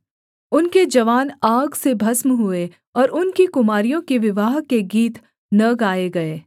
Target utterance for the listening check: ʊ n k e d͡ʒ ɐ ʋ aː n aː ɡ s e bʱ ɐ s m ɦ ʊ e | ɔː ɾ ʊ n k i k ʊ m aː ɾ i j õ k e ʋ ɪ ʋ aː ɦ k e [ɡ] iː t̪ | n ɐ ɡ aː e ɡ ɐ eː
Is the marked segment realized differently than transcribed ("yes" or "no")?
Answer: no